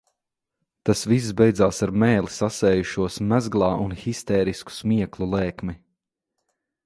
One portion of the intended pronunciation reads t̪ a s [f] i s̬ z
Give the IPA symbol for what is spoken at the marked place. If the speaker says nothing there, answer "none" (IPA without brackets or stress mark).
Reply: v